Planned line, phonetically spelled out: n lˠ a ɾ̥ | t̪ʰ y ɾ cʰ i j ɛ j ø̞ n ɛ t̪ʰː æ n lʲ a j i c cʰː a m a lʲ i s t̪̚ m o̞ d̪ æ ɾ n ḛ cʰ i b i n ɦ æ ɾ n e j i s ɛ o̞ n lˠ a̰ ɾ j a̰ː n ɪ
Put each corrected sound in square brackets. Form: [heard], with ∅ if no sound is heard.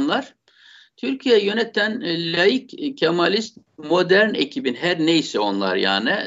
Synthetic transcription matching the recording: n lˠ a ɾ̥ | t̪ʰ y ɾ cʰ i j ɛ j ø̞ n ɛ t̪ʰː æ n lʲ a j i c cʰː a m a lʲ i s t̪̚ m o̞ d̪ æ ɾ n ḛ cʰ i b i n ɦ æ ɾ n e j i s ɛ o̞ n lˠ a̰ ɾ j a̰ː n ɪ